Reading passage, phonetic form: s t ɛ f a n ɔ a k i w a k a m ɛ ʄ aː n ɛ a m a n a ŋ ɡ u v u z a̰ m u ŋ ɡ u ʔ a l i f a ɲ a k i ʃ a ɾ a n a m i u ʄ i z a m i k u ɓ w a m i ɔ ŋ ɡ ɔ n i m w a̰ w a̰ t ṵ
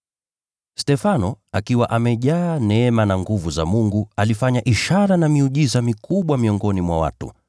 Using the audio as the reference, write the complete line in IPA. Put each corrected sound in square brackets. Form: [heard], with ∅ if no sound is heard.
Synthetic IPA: s t ɛ f a n ɔ a k i w a [ʔ] a m ɛ ʄ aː n ɛ [ɛ] m a n a ŋ ɡ u v u z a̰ m u ŋ ɡ u [∅] a l i f a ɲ a [ʔ] i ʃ a ɾ a n a m i u ʄ i z a m i k u ɓ w a m i ɔ ŋ ɡ ɔ n i m w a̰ w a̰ t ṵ